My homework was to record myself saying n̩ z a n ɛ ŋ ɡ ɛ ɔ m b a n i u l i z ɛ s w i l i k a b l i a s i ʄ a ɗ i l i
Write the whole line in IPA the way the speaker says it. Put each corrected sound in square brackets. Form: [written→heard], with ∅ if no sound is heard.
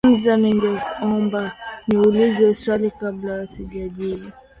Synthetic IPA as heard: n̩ z a n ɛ ŋ ɡ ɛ ɔ m b a n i u l i z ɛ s w [i→a] l i k a b l [i→a] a s i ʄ a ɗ i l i